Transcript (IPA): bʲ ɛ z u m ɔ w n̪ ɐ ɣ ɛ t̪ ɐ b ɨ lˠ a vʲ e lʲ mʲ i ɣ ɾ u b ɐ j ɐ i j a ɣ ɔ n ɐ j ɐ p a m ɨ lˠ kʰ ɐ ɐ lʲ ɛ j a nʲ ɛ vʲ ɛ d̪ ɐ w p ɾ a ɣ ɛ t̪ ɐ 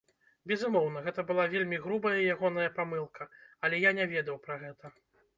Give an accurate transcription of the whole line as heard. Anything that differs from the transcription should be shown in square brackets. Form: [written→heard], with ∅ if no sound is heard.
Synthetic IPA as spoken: bʲ ɛ z u m ɔ w n̪ ɐ ɣ ɛ t̪ ɐ b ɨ lˠ a vʲ e lʲ mʲ i ɣ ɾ u b ɐ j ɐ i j a ɣ ɔ n ɐ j ɐ p a m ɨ lˠ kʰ ɐ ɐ lʲ ɛ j a nʲ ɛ vʲ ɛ d̪ ɐ w p ɾ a ɣ ɛ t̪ ɐ